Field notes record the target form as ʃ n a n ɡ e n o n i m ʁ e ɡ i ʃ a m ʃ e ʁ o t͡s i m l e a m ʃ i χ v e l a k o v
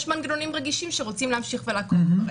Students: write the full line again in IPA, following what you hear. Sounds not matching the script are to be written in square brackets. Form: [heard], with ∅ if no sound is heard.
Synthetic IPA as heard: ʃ [m] a n ɡ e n o n i m ʁ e ɡ i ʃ [i] m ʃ e ʁ o t͡s i m l e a m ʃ i χ v e l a k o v

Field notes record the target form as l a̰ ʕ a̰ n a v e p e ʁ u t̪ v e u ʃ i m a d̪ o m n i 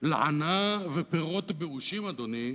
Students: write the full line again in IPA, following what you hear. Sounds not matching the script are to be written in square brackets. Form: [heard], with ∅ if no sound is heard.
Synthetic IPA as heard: l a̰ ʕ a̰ n a v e p e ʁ [o] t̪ [b] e u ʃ i m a d̪ o [∅] n i

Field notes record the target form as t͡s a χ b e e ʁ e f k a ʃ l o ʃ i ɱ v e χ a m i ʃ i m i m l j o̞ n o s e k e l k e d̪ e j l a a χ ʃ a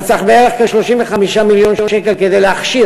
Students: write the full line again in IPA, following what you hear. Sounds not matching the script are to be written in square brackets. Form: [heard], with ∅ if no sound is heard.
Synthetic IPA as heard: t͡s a χ b e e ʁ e [χ] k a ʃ l o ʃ i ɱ v e χ a m i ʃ [a] m i [∅] l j o̞ n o [ʃ] e k e l k e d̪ e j l [e] a χ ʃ [i]

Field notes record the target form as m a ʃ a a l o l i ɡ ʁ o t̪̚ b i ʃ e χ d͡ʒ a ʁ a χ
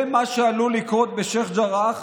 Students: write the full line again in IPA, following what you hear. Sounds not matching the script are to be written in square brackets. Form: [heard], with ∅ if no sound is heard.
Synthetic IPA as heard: m a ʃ [e] a l [u] l i [k] ʁ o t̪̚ b [e] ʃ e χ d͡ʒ a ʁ a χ

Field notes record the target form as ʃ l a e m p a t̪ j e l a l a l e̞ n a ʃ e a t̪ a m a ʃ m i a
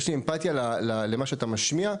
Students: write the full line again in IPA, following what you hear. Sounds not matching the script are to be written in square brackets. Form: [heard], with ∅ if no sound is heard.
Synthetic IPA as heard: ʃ l [i] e m p a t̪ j [a] l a l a l e̞ [m] a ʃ e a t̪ a m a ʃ m i a

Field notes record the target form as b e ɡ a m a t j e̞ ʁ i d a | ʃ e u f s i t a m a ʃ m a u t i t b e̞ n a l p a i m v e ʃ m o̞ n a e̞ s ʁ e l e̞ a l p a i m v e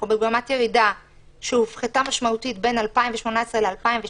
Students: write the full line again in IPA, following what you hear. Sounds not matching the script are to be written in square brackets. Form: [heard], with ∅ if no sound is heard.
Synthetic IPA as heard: b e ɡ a m a t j e̞ ʁ i d a | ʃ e u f [χ] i t a m a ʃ m a u t i t b e̞ n a l p a i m v e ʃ m o̞ n a e̞ s ʁ e l e̞ a l p a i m v e

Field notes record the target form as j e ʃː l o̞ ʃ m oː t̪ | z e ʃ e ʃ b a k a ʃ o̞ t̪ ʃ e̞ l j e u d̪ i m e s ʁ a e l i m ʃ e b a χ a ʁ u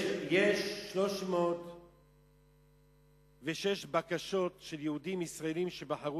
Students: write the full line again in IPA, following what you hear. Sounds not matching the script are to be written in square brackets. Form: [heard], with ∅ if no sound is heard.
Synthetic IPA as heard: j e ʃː l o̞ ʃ m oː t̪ | [v] e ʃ e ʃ b a k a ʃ o̞ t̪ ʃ e̞ l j e u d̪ i m [i] s ʁ a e l i m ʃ e b a [ħ] a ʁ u

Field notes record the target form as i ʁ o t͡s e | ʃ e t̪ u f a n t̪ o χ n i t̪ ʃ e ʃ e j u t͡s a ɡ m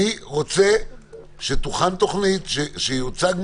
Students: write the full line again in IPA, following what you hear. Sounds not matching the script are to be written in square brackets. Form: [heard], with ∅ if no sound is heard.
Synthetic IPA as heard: i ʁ o t͡s e | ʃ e t̪ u [χ] a n t̪ o χ n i t̪ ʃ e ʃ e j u t͡s a ɡ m

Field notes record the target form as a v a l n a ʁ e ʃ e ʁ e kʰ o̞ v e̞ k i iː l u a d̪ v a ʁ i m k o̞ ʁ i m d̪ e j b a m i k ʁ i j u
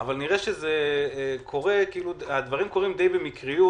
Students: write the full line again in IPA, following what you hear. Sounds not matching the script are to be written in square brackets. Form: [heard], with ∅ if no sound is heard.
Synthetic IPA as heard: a v a l n [i] ʁ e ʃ e [z] e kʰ o̞ [ʁ] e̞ k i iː l u a d̪ v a ʁ i m k o̞ ʁ i m d̪ e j b [e] m i k ʁ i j u

